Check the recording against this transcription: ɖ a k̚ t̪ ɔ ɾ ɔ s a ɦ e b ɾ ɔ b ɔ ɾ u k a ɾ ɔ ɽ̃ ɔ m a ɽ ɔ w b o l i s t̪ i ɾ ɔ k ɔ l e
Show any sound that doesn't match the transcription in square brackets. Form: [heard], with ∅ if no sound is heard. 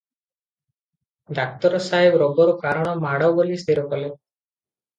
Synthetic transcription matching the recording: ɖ a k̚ t̪ ɔ ɾ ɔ s a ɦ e b ɾ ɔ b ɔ ɾ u k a ɾ ɔ ɽ̃ ɔ m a ɽ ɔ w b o l i s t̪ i ɾ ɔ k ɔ l e